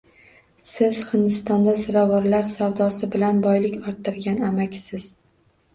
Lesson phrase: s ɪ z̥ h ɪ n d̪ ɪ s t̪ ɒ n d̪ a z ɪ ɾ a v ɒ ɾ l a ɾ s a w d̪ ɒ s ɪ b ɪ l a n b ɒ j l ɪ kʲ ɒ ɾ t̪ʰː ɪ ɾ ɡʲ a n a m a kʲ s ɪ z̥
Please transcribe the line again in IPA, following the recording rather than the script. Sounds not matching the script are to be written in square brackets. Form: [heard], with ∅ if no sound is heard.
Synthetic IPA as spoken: s ɪ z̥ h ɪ n d̪ ɪ s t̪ ɒ n d̪ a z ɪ ɾ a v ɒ ɾ l a ɾ s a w d̪ ɒ s ɪ b ɪ l a n b ɒ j l ɪ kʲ ɒ ɾ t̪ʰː ɪ ɾ ɡʲ a n a m a kʲ s ɪ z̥